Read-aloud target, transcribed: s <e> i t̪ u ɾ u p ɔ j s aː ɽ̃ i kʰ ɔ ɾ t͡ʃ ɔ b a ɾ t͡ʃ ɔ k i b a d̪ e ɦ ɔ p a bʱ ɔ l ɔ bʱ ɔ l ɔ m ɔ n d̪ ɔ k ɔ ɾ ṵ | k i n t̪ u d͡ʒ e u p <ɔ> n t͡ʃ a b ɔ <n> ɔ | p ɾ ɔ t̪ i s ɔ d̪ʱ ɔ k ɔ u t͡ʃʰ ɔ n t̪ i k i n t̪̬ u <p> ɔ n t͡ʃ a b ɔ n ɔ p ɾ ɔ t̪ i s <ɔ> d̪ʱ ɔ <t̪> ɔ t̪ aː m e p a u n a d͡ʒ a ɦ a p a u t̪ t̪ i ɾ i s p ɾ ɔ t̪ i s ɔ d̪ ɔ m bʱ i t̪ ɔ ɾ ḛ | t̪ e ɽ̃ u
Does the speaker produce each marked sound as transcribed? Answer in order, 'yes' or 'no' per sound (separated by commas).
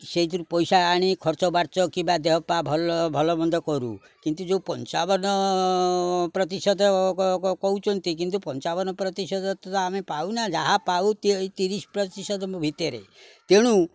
yes, yes, yes, yes, yes, yes